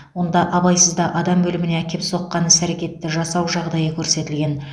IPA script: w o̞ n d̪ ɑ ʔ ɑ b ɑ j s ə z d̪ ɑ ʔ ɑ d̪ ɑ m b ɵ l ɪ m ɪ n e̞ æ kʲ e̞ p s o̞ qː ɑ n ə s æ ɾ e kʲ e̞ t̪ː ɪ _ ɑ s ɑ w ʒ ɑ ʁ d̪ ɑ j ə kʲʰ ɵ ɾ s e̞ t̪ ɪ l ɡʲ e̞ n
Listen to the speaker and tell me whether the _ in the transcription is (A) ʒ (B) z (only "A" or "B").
A